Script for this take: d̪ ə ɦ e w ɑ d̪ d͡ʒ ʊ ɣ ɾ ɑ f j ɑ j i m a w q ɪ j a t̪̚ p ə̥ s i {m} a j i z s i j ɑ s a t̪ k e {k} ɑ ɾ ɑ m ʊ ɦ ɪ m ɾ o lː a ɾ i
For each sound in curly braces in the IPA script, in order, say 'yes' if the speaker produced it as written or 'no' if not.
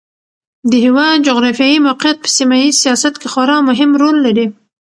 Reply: yes, no

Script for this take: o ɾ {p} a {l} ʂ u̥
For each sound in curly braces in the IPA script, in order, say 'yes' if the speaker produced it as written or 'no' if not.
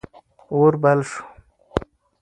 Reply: no, yes

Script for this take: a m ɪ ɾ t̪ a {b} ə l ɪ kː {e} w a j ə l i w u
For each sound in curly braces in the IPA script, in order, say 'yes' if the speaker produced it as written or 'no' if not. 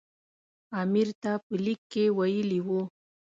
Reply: no, yes

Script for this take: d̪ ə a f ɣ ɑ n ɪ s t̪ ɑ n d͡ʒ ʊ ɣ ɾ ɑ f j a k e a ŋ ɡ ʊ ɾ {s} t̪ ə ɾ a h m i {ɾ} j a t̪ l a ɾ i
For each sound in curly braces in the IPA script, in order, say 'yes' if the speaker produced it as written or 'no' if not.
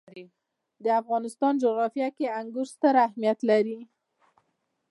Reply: yes, no

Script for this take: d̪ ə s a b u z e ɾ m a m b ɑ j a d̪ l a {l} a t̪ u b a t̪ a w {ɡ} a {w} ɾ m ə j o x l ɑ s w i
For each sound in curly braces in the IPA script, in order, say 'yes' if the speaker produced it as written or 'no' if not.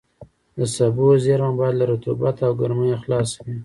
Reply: no, yes, no

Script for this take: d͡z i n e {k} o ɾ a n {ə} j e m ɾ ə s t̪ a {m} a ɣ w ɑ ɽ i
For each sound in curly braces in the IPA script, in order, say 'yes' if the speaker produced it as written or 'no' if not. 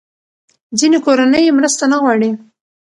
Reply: yes, yes, no

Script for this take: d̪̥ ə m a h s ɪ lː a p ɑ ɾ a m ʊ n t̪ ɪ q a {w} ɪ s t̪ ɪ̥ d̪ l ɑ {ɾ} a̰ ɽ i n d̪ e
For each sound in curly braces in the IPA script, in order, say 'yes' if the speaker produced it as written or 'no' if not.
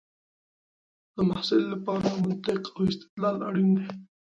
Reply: yes, no

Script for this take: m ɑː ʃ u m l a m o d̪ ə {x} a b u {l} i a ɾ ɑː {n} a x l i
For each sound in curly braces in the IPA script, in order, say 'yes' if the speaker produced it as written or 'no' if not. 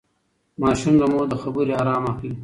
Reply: yes, no, no

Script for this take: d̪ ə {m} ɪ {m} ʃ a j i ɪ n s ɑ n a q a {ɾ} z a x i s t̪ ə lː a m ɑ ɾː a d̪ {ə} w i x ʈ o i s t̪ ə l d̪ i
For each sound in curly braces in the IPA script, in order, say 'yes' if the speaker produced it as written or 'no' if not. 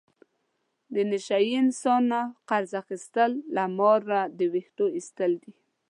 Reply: no, no, yes, yes

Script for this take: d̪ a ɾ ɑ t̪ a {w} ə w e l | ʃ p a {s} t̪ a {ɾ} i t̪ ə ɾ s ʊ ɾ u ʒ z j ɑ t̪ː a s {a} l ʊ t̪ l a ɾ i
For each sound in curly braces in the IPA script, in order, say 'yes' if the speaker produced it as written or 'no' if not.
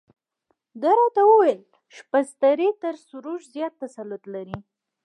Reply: yes, yes, yes, yes

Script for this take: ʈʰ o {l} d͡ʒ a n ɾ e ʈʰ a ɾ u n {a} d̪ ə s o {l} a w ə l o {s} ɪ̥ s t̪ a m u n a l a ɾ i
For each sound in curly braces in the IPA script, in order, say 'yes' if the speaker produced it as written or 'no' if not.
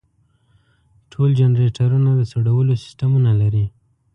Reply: yes, yes, no, yes

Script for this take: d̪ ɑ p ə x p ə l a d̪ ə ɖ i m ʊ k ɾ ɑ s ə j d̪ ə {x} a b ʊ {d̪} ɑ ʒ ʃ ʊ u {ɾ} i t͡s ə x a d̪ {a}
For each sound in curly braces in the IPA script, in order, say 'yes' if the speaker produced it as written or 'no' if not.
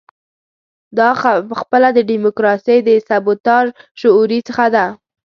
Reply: no, no, yes, yes

